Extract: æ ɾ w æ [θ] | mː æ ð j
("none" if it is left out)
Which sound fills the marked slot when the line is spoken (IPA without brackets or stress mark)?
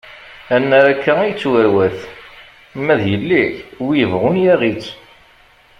θ